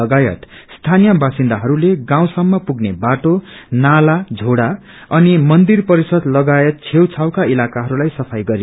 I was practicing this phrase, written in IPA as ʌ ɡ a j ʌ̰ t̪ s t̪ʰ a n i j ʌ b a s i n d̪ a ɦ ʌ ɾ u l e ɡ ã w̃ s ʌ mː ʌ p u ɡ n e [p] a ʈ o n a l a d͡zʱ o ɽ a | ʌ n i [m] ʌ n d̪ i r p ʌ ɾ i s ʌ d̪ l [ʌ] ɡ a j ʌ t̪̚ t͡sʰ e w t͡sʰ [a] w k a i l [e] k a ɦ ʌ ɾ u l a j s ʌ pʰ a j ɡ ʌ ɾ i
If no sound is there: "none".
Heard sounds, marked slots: b, m, ʌ, a, a

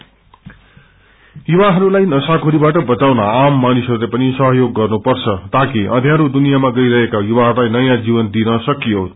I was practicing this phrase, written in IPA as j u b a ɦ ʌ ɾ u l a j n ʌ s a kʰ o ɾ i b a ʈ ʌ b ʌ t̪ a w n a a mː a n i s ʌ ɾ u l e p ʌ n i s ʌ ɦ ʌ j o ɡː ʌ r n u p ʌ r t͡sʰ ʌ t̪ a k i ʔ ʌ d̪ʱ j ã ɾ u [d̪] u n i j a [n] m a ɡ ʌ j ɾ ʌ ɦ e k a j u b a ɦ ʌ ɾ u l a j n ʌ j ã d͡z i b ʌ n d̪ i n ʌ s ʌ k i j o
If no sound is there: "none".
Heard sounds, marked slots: d̪, none

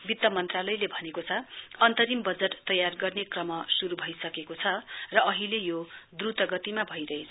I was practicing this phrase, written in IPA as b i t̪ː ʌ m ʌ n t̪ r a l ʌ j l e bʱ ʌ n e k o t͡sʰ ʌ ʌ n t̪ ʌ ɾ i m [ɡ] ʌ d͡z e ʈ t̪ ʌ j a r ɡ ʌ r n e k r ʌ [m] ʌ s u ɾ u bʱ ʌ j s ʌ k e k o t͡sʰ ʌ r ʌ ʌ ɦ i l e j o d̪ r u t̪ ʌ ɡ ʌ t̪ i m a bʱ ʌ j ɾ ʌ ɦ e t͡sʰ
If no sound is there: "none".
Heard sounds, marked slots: b, m

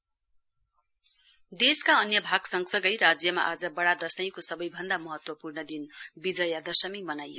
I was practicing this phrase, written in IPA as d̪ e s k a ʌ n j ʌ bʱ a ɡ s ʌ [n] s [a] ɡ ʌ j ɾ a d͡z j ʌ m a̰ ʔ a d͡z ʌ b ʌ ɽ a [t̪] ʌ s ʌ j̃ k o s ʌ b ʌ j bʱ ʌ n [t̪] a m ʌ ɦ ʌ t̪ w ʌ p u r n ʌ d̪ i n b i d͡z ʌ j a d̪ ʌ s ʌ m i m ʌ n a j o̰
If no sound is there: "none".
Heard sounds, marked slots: ŋ, ʌ, d̪, d̪

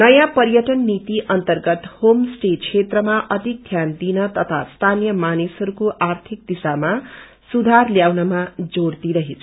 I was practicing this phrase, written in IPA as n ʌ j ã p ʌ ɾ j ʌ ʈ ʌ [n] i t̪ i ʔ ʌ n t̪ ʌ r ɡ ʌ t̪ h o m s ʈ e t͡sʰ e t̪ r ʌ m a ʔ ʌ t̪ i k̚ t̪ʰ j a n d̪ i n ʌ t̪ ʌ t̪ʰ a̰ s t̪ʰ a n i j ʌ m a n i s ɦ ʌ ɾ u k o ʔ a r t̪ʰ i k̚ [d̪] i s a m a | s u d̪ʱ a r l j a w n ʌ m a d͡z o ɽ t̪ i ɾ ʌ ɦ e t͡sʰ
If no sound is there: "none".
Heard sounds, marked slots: nː, d̪

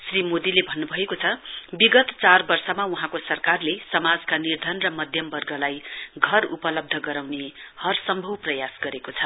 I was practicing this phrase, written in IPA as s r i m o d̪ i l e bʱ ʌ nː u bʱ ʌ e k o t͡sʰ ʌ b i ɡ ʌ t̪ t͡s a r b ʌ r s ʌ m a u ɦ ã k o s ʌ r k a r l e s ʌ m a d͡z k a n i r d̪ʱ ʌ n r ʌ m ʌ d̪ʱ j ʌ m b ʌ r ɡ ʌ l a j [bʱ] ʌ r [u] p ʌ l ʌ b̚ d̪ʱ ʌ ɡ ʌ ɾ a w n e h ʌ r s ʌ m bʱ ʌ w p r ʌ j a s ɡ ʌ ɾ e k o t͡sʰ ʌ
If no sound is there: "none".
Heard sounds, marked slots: ɡʱ, u

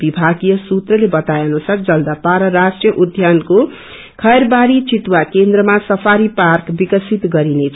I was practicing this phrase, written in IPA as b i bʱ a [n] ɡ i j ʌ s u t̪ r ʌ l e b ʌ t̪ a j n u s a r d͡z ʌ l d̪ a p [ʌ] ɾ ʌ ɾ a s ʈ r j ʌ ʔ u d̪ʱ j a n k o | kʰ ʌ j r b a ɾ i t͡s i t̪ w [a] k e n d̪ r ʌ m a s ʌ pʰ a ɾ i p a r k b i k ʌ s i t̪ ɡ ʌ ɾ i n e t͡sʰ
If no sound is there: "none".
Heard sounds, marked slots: none, a, a

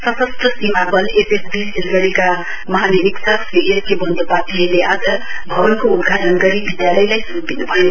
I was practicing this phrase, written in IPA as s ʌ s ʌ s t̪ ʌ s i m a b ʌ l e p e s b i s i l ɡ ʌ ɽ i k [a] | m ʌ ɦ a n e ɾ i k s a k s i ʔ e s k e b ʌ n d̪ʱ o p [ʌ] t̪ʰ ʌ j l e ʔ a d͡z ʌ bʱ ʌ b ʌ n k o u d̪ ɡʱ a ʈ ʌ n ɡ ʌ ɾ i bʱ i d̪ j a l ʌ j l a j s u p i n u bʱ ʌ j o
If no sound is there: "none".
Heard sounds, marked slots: a, a

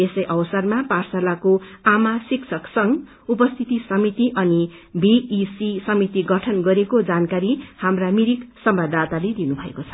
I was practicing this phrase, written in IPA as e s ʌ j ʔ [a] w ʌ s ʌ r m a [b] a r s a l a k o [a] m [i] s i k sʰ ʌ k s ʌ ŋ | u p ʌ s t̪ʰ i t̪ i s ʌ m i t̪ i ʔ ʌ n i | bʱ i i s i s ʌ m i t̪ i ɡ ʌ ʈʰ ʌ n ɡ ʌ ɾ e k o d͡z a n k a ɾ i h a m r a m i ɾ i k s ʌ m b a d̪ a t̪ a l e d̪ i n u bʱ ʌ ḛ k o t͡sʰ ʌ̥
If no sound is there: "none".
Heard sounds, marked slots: ʌ, p, a, a

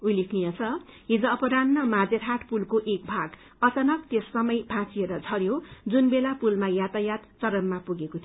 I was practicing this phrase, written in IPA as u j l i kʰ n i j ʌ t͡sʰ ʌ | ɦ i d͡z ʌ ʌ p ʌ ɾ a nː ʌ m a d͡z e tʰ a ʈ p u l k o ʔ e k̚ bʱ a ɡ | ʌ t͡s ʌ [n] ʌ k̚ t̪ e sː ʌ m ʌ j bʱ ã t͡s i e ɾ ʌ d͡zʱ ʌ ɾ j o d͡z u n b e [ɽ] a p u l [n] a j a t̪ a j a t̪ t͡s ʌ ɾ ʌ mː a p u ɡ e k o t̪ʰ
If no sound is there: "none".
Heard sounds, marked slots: n, l, m

